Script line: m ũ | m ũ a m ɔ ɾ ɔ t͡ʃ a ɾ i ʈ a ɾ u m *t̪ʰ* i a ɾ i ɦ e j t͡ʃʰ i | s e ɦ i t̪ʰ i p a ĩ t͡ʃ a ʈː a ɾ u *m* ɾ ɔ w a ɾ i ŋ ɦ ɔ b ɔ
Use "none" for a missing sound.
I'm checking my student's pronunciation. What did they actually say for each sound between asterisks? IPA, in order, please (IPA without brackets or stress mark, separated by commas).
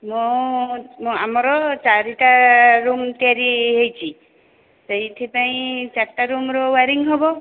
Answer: t̪, m